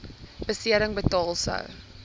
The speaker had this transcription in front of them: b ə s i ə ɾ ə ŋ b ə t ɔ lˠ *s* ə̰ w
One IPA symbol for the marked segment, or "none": s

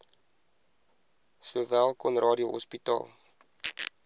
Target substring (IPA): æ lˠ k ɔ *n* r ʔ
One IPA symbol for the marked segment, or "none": n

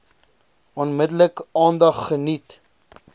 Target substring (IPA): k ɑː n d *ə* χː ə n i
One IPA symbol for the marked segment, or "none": ɐ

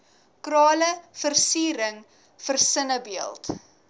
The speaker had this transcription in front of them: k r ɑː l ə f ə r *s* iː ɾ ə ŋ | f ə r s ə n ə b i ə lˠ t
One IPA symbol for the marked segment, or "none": s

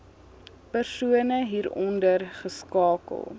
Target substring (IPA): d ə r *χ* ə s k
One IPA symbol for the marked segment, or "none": χ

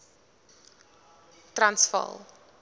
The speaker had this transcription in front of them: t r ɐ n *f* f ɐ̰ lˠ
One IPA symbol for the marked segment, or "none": s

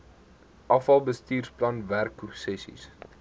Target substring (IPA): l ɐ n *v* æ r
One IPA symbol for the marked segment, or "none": v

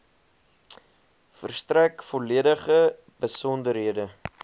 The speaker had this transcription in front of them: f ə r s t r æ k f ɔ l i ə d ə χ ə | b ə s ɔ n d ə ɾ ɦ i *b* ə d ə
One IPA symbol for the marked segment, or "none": none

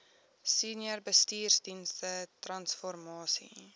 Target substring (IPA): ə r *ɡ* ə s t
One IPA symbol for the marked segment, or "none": b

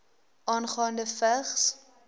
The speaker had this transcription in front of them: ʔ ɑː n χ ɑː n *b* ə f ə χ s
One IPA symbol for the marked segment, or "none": d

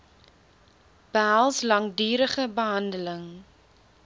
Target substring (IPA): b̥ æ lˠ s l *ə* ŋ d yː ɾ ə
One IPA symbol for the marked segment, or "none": ɐ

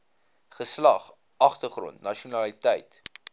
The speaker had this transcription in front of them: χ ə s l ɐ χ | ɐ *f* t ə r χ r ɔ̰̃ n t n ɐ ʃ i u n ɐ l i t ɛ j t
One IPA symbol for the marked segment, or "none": χ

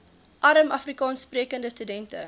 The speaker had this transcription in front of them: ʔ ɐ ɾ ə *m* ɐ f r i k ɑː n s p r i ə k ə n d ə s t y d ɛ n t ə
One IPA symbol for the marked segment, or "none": m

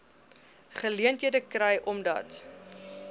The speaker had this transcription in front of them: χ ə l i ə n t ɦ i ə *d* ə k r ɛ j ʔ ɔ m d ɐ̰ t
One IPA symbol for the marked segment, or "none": d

